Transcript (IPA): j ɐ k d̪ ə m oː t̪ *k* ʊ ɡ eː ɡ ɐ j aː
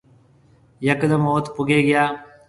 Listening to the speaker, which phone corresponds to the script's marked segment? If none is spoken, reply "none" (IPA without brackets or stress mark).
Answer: p